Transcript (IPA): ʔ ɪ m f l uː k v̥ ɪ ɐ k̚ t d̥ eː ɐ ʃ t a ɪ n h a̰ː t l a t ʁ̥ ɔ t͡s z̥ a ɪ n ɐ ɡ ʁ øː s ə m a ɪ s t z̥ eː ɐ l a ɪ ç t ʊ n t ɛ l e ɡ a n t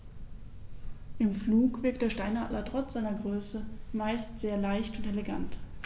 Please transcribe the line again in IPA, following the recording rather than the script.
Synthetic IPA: ʔ ɪ m f l uː k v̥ ɪ ɐ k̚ t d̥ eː ɐ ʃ t a ɪ n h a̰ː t l ɐ t ʁ̥ ɔ t͡s z̥ a ɪ n ɐ ɡ ʁ øː s ə m a ɪ s t z̥ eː ɐ l a ɪ ç t ʊ n t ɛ l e ɡ a n t

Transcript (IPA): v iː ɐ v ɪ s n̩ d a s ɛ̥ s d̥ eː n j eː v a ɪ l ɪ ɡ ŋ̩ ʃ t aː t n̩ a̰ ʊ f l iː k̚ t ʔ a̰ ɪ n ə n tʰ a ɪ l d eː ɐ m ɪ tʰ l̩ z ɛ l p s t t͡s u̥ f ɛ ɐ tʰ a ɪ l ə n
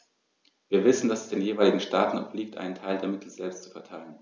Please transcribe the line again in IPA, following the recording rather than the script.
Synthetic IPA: v iː ɐ v ɪ s n̩ d a s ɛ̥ s d̥ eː n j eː v a ɪ l ɪ ɡ ŋ̩ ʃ t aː t n̩ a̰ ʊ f l iː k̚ t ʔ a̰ ɪ n ə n tʰ a ɪ l d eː ɐ m ɪ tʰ l̩ z ɛ l p s t t͡s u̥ f ɛ ɐ tʰ a ɪ l ə n

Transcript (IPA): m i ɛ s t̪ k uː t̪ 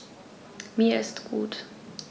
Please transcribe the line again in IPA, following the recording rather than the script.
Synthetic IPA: m i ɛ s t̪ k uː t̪

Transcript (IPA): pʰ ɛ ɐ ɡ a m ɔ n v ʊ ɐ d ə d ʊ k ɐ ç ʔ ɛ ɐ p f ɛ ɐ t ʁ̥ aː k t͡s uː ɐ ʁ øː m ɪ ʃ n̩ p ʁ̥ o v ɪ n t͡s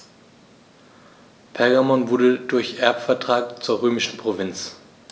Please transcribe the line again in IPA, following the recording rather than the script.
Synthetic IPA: pʰ ɛ ɐ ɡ a m ɔ n v ʊ ɐ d ə d ʊ ɐ ç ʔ ɛ ɐ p f ɛ ɐ t ʁ̥ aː k t͡s uː ɐ ʁ øː m ɪ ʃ n̩ p ʁ̥ o v ɪ n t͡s

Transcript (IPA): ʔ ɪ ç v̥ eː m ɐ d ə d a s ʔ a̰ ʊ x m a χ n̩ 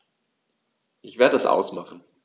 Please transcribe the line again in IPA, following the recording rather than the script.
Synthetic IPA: ʔ ɪ ç v̥ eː ɐ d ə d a s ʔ a̰ ʊ s m a χ n̩

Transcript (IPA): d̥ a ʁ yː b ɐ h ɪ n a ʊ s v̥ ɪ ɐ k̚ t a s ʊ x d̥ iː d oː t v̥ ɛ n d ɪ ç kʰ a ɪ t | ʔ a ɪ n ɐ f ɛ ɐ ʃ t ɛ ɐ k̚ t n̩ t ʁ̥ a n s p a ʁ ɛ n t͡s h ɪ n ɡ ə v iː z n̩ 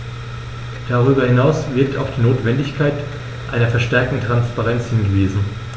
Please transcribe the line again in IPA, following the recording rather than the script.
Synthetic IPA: d̥ a ʁ yː b ɐ h ɪ n a ʊ s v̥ ɪ ɐ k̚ t a ʊ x d̥ iː n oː t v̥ ɛ n d ɪ ç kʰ a ɪ t | ʔ a ɪ n ɐ f ɛ ɐ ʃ t ɛ ɐ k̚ t n̩ t ʁ̥ a n s p a ʁ ɛ n t͡s h ɪ n ɡ ə v iː z n̩

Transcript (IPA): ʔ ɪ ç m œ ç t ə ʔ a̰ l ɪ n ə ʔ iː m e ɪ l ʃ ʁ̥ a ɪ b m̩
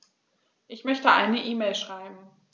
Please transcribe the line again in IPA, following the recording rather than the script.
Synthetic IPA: ʔ ɪ ç m œ ç t ə ʔ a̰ ɪ n ə ʔ iː m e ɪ l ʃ ʁ̥ a ɪ b m̩

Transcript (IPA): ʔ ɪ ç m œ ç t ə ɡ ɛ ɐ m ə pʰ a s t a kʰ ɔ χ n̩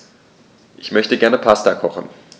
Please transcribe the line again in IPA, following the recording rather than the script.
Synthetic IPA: ʔ ɪ ç m œ ç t ə ɡ ɛ ɐ n ə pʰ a s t a kʰ ɔ χ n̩

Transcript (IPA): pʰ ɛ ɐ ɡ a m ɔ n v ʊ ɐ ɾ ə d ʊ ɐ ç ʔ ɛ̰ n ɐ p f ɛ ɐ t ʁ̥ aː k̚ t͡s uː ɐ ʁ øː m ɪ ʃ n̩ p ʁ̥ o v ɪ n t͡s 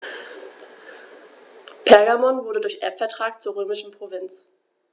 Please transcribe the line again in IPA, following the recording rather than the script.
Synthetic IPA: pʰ ɛ ɐ ɡ a m ɔ n v ʊ ɐ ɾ ə d ʊ ɐ ç ʔ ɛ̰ ɐ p f ɛ ɐ t ʁ̥ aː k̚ t͡s uː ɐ ʁ øː m ɪ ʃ n̩ p ʁ̥ o v ɪ n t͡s

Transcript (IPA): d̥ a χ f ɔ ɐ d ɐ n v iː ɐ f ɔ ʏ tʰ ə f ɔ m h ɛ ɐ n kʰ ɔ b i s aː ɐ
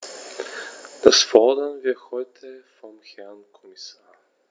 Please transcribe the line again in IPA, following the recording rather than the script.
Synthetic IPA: d̥ a s f ɔ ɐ d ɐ n v iː ɐ h ɔ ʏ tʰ ə f ɔ m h ɛ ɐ n kʰ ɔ m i s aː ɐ

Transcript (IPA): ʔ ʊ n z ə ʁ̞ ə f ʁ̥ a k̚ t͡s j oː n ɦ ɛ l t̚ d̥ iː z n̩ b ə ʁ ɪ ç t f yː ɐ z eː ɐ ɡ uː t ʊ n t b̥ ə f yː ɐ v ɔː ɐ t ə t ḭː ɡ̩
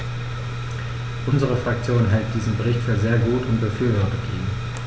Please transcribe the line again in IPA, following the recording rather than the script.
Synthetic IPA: ʔ ʊ n z ə ʁ̞ ə f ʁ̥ a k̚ t͡s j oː n ɦ ɛ l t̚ d̥ iː z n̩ b ə ʁ ɪ ç t f yː ɐ z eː ɐ ɡ uː t ʊ n t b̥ ə f yː ɐ v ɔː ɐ t ə t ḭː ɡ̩

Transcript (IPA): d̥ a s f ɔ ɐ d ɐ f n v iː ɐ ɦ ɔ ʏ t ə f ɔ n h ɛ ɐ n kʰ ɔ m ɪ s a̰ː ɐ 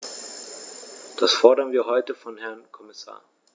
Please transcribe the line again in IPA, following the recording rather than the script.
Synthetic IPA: d̥ a s f ɔ ɐ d ɐ n v iː ɐ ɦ ɔ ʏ t ə f ɔ n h ɛ ɐ n kʰ ɔ m ɪ s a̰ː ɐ

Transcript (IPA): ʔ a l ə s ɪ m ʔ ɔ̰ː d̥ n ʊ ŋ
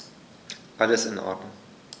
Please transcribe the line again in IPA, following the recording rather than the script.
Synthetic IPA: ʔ a l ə s ɪ n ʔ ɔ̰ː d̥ n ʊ ŋ

